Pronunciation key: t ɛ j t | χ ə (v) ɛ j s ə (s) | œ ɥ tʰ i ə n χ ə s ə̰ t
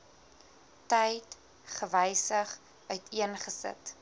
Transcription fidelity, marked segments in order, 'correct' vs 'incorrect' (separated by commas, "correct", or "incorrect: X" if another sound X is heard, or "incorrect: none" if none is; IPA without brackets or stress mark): correct, incorrect: χ